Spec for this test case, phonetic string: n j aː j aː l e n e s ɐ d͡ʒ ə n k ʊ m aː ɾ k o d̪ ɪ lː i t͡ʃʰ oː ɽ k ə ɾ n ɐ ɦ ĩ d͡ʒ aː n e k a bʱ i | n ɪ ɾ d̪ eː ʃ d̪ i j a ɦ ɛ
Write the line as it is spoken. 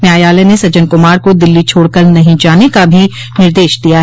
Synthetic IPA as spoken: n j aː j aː l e n e s ɐ d͡ʒ ə n k ʊ m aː ɾ k o d̪ ɪ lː i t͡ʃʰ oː ɽ k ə ɾ n ɐ ɦ ĩ d͡ʒ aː n e k a bʱ i | n ɪ ɾ d̪ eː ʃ d̪ i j a ɦ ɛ

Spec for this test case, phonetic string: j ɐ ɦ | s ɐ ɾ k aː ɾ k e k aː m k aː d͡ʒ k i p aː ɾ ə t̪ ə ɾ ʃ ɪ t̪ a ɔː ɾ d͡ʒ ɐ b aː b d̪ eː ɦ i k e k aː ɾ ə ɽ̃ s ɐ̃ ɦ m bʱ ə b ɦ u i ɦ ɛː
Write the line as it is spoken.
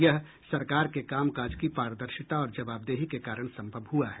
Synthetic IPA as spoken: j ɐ ɦ | s ɐ ɾ k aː ɾ k e k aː m k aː d͡ʒ k i p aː ɾ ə d̪ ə ɾ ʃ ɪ t̪ a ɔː ɾ d͡ʒ ɐ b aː b d̪ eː ɦ i k e k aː ɾ ə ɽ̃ s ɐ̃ m bʱ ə b ɦ u a ɦ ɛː

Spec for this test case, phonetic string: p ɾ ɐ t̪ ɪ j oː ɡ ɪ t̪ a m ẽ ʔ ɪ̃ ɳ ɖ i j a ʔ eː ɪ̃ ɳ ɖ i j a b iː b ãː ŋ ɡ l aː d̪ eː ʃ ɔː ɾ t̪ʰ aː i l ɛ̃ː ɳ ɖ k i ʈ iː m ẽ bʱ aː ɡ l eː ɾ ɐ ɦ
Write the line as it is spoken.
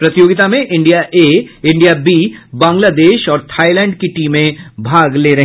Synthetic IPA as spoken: p ɾ ɐ t̪ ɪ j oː ɡ ɪ t̪ a m ẽ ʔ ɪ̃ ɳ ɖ i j a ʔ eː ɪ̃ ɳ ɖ i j a b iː b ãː ŋ ɡ l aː d̪ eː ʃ ɔː ɾ t̪ʰ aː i l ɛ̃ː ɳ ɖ k i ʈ iː m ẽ bʱ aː ɡ l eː ɾ ɐ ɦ

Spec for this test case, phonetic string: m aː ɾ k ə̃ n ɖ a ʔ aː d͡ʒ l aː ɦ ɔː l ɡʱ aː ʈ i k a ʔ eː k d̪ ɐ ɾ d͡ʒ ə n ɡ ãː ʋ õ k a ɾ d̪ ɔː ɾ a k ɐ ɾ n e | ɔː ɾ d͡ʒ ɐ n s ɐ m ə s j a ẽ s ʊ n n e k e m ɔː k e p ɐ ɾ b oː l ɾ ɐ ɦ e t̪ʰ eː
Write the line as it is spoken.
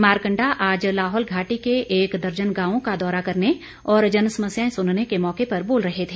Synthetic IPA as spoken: m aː ɾ k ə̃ ɳ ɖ a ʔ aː d͡ʒ l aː ɦ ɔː l ɡʱ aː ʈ i k e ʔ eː k d̪ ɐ ɾ d͡ʒ ə n ɡ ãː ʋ õ k a d̪ ɔː ɾ a k ɐ ɾ n e | ɔː ɾ d͡ʒ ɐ n s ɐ m ə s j a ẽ s ʊ n n e k e m ɔː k e p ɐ ɾ b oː l ɾ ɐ ɦ e t̪ʰ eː

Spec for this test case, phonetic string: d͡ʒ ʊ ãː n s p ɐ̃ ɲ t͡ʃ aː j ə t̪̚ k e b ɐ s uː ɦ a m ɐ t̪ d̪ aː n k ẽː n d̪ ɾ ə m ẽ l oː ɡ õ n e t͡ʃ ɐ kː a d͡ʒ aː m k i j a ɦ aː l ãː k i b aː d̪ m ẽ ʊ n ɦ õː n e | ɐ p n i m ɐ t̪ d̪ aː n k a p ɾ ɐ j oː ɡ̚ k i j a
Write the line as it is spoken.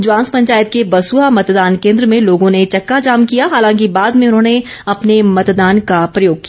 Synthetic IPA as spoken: d͡ʒ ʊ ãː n s p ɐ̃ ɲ t͡ʃ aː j ə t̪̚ k e b ɐ s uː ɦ a m ɐ t̪ d̪ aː n k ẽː n d̪ ɾ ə m ẽ l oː ɡ õ n e t͡ʃ ɐ kː a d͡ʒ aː m k i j a ɦ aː l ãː k i b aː d̪ m ẽ ʊ n ɦ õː n e | ɐ p n e m ɐ t̪ d̪ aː n k a p ɾ ɐ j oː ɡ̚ k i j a

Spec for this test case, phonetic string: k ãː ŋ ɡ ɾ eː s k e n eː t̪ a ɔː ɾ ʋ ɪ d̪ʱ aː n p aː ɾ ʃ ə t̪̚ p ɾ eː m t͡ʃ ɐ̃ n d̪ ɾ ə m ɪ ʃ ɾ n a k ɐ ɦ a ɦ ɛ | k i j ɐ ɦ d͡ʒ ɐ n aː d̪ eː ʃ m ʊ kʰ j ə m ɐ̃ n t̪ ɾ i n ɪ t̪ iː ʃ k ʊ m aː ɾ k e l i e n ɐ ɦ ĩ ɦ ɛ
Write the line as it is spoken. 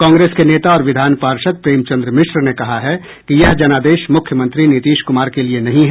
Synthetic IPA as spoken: k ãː ŋ ɡ ɾ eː s k e n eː t̪ a ɔː ɾ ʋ ɪ d̪ʱ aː n p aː ɾ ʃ ə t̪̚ p ɾ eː m t͡ʃ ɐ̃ n d̪ ɾ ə m ɪ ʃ ɾ n e k ɐ ɦ a ɦ ɛ | k i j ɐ ɦ d͡ʒ ɐ n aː d̪ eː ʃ m ʊ kʰ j ə m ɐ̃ n t̪ ɾ i n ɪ t̪ iː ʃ k ʊ m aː ɾ k e l i e n ɐ ɦ ĩ ɦ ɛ

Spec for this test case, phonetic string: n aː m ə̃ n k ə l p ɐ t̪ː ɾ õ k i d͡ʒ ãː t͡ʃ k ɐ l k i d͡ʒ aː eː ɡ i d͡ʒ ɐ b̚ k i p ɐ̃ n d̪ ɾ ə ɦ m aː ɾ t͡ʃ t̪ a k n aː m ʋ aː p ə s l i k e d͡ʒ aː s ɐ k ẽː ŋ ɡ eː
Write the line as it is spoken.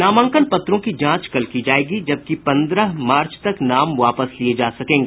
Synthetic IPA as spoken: n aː m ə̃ ŋ k ə l p ɐ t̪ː ɾ õ k i d͡ʒ ãː t͡ʃ k ɐ l k i d͡ʒ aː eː ɡ i d͡ʒ ɐ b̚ k i p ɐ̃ n d̪ ɾ ə ɦ m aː ɾ t͡ʃ t̪ ɐ k n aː m ʋ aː p ə s l i e d͡ʒ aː s ɐ k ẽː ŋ ɡ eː

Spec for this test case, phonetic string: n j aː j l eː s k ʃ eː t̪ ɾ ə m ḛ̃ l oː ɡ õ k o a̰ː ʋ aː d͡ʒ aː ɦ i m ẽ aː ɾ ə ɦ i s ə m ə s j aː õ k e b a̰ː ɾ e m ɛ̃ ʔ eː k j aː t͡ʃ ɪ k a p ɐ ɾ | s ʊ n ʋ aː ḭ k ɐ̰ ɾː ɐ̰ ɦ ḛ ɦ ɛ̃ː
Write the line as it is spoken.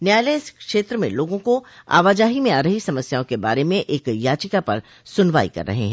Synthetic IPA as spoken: n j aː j l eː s k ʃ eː t̪ ɾ ə m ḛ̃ l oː ɡ õ k o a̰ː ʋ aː d͡ʒ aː ɦ i m ẽ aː ɾ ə ɦ i s ɐ m ə s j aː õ k e b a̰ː ɾ e m ẽ ʔ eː k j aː t͡ʃ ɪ k a p ɐ ɾ | s ʊ n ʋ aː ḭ k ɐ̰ ɾː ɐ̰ ɦ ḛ ɦ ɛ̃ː

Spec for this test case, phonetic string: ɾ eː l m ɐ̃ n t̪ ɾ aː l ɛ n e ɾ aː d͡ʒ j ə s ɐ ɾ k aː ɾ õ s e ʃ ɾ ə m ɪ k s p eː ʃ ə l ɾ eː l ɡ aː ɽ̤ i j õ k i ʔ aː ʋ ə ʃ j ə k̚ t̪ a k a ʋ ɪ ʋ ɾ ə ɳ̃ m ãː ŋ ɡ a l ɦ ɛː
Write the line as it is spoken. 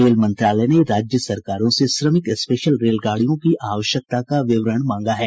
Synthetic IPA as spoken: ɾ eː l m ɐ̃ n t̪ ɾ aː l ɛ n e ɾ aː d͡ʒ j ə s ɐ ɾ k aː ɾ õ s e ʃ ɾ ə m ɪ k s p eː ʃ ə l ɾ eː l ɡ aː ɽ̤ i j õ k i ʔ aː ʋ ə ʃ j ə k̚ t̪ a k a ʋ ɪ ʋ ɾ ə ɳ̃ m ãː ŋ ɡ a ɦ ɛː

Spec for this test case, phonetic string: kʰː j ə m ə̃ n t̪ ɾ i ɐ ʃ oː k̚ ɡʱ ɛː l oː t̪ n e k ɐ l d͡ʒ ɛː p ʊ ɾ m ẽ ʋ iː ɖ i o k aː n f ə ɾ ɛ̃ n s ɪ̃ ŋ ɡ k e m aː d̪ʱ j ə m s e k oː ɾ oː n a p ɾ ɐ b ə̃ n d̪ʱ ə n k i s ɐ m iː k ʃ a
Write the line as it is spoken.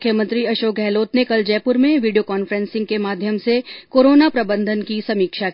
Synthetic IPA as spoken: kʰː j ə m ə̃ n t̪ ɾ i ɐ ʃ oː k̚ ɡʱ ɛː l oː t̪ n e k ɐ l d͡ʒ ɛː p ʊ ɾ m ẽ ʋ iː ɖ i o k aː n f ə ɾ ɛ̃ n s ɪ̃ ŋ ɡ k e m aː d̪ʱ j ə m s e k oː ɾ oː n a p ɾ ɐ b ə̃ n d̪ʱ ə n k i s ɐ m iː k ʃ a

